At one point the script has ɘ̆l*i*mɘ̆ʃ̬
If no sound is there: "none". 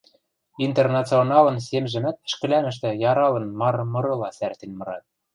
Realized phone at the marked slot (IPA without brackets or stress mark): æ